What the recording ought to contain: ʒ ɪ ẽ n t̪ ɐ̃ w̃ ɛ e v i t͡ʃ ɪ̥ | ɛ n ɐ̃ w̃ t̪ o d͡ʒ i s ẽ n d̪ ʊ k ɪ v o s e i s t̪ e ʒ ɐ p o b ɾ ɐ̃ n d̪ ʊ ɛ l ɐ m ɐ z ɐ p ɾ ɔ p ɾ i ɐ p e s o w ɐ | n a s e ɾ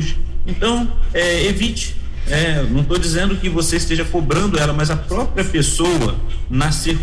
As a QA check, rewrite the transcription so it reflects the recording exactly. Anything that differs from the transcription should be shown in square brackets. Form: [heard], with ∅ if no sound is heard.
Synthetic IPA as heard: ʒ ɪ ẽ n t̪ ɐ̃ w̃ ɛ e v i t͡ʃ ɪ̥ | ɛ n ɐ̃ w̃ t̪ o d͡ʒ i [z] ẽ n d̪ ʊ k ɪ v o s e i s t̪ e ʒ ɐ [k] o b ɾ ɐ̃ n d̪ ʊ ɛ l ɐ m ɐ z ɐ p ɾ ɔ p ɾ i ɐ p e s o w ɐ | n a s e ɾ